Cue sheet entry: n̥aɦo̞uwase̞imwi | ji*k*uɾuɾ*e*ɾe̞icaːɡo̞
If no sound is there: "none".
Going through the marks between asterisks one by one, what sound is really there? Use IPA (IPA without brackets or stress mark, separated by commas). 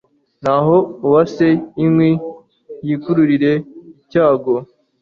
k, i